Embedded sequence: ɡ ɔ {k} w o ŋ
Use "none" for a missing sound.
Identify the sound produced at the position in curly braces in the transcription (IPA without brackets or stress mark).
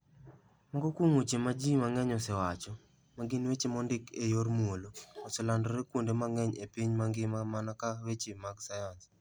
k